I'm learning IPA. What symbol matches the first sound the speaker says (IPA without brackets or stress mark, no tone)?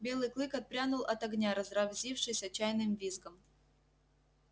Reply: bʲ